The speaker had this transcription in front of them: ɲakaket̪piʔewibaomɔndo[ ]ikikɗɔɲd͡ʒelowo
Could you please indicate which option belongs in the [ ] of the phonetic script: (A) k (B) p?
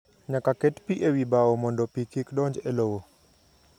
B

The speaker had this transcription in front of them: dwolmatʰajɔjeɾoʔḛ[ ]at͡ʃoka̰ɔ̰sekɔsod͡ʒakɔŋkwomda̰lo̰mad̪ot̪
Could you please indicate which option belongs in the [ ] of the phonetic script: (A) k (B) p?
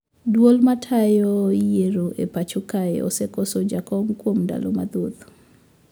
B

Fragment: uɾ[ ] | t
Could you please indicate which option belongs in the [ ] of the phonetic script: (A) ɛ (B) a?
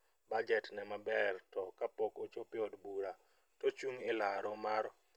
B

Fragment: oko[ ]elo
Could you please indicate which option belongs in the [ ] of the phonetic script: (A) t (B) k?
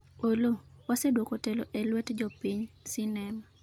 A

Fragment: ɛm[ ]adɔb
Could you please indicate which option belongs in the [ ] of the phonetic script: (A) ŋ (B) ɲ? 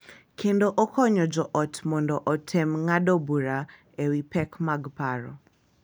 A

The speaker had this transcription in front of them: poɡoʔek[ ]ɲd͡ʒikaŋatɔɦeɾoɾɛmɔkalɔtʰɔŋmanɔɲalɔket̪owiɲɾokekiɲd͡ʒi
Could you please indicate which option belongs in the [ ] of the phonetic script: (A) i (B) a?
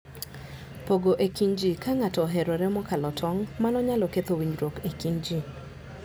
A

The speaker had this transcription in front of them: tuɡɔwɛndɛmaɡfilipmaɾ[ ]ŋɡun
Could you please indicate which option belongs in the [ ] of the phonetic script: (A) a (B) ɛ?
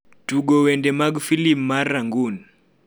A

